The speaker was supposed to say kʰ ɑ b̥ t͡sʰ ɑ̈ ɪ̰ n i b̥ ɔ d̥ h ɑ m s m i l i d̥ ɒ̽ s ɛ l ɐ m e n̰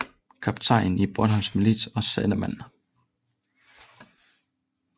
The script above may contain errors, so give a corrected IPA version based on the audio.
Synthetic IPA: kʰ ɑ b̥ t͡sʰ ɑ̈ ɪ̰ n i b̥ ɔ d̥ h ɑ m s m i l i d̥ ɒ̽ s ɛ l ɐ m æ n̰